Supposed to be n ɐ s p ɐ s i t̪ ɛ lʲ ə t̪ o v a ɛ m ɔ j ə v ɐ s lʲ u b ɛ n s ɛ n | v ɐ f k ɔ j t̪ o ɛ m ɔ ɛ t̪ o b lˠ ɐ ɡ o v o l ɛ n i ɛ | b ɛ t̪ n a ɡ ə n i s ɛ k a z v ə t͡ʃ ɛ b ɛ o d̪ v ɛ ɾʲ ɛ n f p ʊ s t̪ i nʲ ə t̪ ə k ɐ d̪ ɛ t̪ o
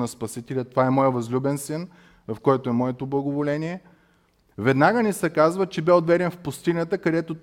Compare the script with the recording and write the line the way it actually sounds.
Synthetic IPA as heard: n ɐ s p ɐ s i t̪ ɛ lʲ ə t̪ o v a ɛ m ɔ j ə v ɐ z lʲ u b ɛ n s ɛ n | v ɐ f k ɔ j t̪ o ɛ m ɔ ɛ t̪ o b lˠ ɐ ɡ o v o l ɛ n i ɛ | v ɛ d̪ n a ɡ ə n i s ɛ k a z v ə t͡ʃ ɛ b ɛ o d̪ v ɛ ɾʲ ɛ n f p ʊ s t̪ i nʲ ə t̪ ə k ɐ d̪ ɛ t̪ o